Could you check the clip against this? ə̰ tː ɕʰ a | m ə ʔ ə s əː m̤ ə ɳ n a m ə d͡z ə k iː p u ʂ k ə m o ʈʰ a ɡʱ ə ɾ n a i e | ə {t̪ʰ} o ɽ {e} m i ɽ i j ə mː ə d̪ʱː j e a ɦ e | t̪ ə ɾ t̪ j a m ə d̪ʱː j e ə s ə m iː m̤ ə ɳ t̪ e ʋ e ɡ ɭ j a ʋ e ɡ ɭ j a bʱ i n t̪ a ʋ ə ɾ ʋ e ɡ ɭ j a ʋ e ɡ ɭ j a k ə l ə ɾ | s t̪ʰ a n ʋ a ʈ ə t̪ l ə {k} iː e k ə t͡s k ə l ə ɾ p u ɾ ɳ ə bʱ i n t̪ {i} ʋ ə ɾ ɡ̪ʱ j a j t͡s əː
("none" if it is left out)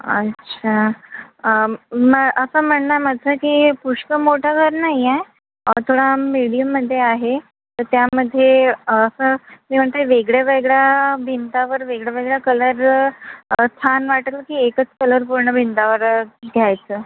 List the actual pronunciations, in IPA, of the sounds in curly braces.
t̪ʰ, a, k, a

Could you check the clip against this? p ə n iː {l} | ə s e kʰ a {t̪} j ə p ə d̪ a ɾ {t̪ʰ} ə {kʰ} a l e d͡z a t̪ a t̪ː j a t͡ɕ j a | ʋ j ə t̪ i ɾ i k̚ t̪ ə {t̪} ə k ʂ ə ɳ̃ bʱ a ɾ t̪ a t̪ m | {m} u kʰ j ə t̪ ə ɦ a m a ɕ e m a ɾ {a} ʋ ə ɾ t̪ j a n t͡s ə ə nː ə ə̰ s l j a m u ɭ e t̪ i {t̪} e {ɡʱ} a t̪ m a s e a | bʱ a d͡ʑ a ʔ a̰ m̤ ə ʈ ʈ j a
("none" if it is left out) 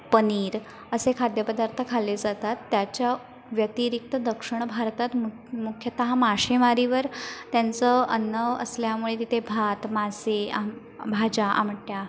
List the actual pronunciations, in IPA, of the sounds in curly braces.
ɾ, d̪, t̪ʰ, kʰ, d̪, m, i, t̪, bʱ

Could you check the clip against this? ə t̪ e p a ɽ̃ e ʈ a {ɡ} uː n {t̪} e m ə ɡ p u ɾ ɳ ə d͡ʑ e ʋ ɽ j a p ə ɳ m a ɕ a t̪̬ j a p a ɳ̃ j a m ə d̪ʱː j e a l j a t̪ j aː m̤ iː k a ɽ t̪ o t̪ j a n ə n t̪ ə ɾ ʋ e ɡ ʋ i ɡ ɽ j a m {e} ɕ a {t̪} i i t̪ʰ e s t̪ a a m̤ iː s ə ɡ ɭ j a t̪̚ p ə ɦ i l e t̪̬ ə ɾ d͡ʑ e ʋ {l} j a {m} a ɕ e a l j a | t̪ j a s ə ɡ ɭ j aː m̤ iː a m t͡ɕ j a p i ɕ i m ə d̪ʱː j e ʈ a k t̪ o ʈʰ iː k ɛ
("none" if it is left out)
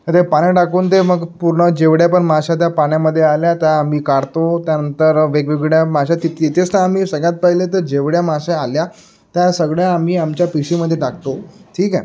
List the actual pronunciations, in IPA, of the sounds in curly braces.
k, t̪, a, t̪, ɽ, m

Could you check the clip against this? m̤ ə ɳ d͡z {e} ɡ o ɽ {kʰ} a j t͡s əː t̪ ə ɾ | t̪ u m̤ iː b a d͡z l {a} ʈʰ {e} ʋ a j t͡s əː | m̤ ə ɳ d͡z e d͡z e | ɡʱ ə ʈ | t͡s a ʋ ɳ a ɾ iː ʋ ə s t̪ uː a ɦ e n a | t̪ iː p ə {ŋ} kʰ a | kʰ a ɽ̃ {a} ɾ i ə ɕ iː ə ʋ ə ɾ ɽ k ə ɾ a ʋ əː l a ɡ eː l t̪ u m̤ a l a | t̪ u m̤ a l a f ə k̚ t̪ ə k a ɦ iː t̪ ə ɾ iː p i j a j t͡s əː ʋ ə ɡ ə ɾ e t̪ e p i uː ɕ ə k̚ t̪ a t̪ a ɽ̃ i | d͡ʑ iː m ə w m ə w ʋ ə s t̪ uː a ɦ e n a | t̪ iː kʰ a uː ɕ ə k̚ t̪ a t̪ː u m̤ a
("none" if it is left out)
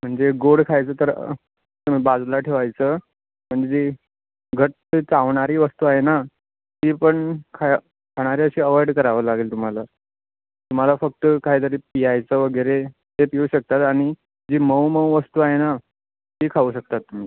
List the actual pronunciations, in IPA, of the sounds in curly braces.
e, kʰ, a, e, ɳ, a

